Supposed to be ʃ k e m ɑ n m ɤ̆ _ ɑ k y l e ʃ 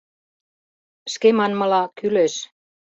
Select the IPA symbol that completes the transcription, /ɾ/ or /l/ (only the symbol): l